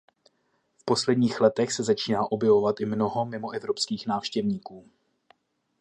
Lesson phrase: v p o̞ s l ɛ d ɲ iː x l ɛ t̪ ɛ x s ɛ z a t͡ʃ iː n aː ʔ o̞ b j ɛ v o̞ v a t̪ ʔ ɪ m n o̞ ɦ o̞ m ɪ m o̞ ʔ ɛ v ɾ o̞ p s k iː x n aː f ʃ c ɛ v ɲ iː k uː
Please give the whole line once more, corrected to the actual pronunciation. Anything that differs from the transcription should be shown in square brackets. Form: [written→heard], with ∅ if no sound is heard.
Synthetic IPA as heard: [v→f] p o̞ s l ɛ d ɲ iː x l ɛ t̪ ɛ x s ɛ z a t͡ʃ iː n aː ʔ o̞ b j ɛ v o̞ v a t̪ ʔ ɪ m n o̞ ɦ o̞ m ɪ m o̞ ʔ ɛ v ɾ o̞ p s k iː x n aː f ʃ c ɛ v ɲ iː k uː